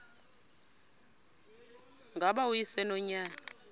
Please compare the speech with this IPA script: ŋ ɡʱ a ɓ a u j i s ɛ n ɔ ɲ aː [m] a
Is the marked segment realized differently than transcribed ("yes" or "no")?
yes